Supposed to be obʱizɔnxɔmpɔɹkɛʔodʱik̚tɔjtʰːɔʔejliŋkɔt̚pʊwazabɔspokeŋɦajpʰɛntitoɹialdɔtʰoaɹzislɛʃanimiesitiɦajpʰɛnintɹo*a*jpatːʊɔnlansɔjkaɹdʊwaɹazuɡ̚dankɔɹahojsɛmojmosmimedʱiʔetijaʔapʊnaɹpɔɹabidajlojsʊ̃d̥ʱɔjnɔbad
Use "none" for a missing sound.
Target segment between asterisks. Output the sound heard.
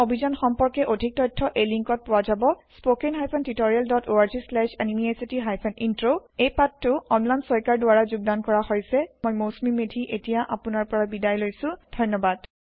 e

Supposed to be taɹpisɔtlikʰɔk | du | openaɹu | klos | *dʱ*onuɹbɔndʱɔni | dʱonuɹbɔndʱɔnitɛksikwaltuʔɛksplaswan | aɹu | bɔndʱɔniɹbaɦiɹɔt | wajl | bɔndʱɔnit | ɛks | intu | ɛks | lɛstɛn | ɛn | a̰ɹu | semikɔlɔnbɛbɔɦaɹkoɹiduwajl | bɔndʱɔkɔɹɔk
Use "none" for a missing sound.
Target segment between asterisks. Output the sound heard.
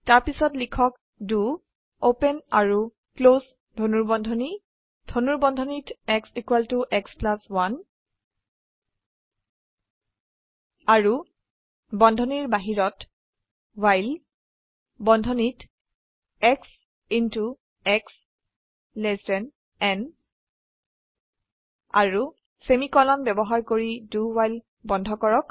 dʱ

